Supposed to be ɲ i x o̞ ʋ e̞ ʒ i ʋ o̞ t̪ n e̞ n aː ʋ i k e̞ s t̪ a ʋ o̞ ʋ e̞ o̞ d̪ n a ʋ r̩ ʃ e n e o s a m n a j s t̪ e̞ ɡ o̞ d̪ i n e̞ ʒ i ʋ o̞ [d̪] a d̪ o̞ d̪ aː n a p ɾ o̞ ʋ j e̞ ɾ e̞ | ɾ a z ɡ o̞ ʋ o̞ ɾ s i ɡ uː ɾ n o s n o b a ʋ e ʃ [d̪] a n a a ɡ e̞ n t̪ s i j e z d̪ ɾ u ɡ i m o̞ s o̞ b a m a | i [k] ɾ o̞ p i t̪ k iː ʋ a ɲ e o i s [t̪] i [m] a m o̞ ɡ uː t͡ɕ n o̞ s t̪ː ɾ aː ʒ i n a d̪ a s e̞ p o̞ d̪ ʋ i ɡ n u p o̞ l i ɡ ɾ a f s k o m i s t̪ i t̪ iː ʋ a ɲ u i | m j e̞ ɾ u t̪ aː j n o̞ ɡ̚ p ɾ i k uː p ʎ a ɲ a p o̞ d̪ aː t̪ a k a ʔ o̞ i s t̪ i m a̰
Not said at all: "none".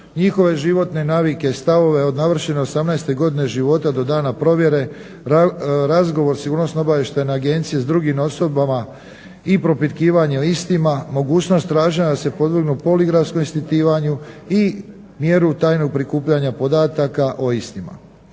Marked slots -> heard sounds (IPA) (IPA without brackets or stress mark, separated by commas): t̪, t̪, p, t̪, m